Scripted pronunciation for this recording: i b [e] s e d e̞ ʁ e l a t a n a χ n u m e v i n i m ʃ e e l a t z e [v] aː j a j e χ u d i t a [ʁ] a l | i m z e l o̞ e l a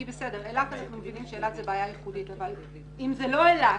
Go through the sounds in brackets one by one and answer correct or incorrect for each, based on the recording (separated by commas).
correct, incorrect, incorrect